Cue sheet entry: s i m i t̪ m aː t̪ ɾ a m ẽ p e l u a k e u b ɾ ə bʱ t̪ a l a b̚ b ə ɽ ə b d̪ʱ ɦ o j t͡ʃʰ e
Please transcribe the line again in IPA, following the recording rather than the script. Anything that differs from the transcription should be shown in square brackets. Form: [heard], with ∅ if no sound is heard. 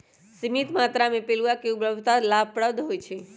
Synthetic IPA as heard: s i m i t̪ m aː t̪ ɾ a m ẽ p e l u a k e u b ɾ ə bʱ t̪ a l a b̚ [p] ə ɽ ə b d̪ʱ ɦ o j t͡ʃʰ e